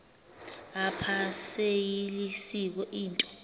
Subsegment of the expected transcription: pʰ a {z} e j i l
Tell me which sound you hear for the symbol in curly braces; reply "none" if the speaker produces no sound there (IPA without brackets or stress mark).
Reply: s